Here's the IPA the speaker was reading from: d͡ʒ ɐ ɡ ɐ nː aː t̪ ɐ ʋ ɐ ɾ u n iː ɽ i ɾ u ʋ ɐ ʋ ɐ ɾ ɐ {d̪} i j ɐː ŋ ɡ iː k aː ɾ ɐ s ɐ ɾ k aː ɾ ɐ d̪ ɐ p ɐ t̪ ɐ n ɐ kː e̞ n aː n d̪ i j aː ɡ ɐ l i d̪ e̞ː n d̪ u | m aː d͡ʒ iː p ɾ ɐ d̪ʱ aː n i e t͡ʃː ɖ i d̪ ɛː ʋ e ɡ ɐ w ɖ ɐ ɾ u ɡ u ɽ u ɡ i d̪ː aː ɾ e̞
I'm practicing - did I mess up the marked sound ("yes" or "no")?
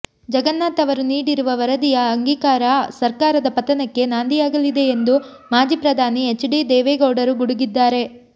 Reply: no